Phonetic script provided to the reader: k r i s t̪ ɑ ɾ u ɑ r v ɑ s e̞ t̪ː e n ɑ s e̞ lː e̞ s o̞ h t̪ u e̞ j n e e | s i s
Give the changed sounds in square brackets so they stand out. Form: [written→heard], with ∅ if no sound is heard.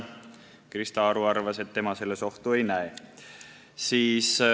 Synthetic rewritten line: k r i s t̪ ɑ ɾ u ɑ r v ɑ s e̞ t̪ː e [n→m] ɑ s e̞ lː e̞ s o̞ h t̪ u e̞ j n [e→æ] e | s [i→iː] s